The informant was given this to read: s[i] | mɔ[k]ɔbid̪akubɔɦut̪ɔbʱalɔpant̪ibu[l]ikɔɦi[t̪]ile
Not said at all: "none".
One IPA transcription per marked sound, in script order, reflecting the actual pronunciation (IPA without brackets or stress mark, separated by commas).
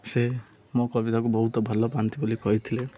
e, k, l, t̪ʰ